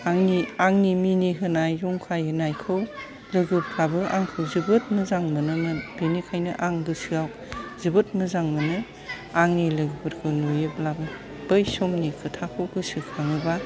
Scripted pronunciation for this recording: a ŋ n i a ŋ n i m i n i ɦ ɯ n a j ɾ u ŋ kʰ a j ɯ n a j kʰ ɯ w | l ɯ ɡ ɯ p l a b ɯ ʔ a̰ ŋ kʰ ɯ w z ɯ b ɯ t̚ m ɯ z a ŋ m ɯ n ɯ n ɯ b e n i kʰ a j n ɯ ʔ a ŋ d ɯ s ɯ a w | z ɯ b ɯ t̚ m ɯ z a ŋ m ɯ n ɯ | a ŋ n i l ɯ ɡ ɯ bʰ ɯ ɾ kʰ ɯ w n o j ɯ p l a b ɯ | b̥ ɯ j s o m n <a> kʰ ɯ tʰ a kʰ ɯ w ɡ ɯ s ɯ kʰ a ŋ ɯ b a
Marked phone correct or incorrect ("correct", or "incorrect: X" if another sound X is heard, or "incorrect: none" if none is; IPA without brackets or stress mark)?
incorrect: i